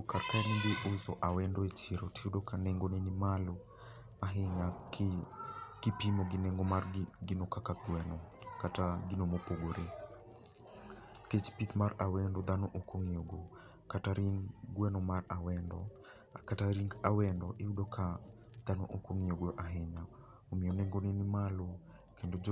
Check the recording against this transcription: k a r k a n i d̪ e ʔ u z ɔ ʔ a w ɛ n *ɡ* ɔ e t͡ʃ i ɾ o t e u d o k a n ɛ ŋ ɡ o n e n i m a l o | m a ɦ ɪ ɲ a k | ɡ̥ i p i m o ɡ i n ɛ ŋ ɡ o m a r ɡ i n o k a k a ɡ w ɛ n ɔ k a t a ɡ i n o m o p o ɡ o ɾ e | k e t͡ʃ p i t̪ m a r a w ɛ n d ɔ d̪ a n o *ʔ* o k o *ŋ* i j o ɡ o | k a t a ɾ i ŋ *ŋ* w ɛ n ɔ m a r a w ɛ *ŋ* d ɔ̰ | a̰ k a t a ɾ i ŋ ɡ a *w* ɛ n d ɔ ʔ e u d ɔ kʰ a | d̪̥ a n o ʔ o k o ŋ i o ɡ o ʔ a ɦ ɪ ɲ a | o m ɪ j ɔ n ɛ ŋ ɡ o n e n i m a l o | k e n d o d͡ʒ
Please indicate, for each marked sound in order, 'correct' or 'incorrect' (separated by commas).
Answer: incorrect, correct, correct, incorrect, incorrect, correct